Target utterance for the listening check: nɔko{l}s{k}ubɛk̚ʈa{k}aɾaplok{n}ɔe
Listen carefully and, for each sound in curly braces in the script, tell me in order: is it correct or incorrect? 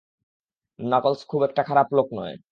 correct, incorrect: kʰ, incorrect: kʰ, correct

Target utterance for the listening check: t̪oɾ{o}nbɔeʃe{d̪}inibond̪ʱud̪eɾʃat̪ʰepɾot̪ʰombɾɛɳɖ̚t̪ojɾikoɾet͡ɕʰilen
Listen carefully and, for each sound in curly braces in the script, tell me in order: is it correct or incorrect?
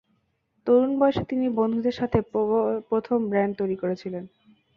incorrect: u, incorrect: t̪

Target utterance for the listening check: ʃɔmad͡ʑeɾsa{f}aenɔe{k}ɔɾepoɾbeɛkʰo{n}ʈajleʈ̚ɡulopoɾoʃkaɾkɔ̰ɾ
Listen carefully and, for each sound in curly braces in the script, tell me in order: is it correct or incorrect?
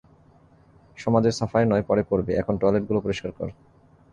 correct, incorrect: p, correct

